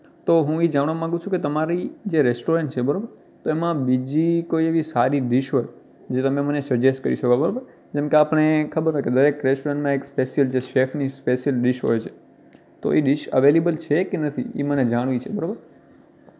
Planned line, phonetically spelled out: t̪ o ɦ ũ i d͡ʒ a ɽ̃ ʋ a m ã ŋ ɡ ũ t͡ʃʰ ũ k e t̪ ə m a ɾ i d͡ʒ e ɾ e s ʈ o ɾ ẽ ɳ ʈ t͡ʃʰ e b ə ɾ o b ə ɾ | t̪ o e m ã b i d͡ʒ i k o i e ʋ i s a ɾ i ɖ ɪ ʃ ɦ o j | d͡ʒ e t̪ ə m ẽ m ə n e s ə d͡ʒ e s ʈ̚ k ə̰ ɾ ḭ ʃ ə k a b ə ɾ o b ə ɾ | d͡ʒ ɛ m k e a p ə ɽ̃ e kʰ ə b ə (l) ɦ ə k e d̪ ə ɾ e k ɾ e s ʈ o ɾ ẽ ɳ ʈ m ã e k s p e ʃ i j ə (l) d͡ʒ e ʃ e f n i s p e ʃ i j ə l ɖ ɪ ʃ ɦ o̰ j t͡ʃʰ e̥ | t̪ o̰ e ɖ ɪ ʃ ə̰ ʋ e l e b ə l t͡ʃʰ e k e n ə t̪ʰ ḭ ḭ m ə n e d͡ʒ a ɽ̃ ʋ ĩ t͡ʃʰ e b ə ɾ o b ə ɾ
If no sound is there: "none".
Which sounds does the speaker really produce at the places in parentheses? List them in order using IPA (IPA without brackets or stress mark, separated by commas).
ɾ, l